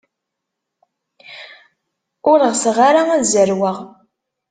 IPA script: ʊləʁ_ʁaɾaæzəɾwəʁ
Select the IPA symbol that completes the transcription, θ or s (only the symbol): s